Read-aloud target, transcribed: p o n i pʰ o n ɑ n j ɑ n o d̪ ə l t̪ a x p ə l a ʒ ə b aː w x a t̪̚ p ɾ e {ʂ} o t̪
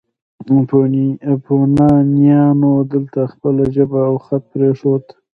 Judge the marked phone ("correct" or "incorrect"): correct